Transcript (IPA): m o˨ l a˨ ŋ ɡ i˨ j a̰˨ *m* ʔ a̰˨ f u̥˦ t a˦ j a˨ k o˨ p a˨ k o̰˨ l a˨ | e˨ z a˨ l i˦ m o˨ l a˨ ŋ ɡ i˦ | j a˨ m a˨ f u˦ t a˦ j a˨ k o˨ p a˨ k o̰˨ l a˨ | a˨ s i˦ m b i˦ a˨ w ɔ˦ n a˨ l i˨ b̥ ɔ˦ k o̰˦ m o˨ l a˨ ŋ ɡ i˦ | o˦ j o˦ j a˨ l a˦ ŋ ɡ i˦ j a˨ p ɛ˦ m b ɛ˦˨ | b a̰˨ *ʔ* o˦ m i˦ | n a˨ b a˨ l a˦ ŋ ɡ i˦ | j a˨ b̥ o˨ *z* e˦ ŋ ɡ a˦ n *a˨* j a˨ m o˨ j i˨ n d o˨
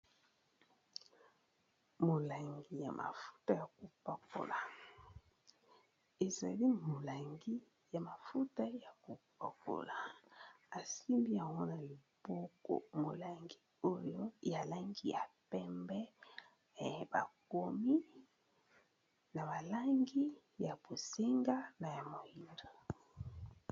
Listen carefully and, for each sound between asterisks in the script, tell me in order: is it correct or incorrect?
correct, incorrect: k, incorrect: s, correct

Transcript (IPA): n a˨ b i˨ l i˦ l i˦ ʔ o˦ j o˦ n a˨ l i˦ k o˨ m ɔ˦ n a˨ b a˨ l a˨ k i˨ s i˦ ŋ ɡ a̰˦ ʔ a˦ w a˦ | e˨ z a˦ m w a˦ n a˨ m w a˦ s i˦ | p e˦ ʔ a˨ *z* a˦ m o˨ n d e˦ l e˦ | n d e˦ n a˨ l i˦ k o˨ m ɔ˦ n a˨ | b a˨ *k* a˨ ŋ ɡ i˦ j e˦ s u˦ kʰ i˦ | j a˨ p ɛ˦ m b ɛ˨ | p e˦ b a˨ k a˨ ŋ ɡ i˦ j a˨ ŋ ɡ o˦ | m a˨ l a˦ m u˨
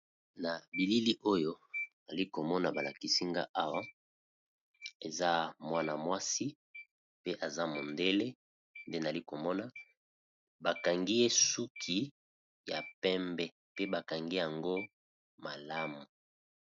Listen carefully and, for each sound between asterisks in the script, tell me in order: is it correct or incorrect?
correct, correct

